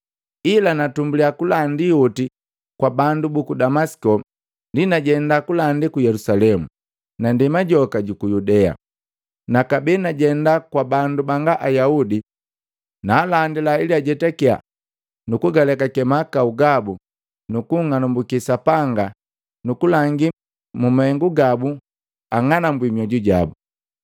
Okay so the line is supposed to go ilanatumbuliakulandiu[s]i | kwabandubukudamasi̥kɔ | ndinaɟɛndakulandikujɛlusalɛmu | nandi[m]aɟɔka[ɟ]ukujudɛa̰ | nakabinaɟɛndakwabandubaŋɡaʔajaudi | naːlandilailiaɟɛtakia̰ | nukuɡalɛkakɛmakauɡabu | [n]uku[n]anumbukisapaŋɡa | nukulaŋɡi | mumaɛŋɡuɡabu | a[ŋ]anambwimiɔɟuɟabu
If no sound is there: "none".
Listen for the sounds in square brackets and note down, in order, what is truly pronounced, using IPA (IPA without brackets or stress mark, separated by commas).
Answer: t, m, ɟ, n, ŋ, ŋ